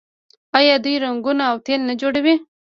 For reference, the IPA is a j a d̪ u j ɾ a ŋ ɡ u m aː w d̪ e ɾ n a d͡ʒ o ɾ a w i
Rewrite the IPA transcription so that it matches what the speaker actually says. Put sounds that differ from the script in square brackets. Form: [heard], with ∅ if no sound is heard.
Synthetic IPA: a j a d̪ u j ɾ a ŋ ɡ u [n] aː w [t̪] e [l] n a d͡ʒ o [ɽ] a w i